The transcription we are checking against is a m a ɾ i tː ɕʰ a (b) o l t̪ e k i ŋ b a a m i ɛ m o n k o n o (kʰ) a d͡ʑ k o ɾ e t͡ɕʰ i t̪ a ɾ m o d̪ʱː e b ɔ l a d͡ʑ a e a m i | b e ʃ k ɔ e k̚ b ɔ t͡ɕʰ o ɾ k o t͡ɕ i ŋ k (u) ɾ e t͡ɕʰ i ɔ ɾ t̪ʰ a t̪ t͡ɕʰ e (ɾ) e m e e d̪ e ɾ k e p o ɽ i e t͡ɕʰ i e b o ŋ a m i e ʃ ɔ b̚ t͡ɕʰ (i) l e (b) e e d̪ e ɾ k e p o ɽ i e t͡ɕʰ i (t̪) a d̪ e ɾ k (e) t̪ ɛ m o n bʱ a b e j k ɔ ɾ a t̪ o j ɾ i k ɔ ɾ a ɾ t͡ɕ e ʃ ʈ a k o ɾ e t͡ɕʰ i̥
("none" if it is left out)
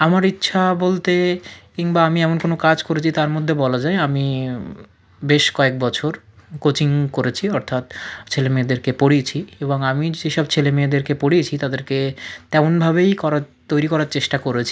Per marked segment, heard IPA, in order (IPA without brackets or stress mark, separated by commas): b, k, o, l, e, m, t̪, e